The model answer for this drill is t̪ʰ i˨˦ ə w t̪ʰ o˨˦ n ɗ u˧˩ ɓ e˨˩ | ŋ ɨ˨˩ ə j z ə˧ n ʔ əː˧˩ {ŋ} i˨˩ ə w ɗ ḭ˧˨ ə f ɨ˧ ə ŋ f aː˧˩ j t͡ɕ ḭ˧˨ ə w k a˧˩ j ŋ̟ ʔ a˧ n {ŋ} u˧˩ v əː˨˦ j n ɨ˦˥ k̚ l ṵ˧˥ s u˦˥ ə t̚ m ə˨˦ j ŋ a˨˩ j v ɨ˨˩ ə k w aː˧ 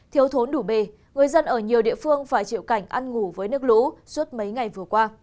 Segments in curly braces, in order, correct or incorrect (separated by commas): incorrect, correct